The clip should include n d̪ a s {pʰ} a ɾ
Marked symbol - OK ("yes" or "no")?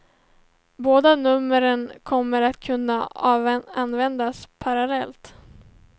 yes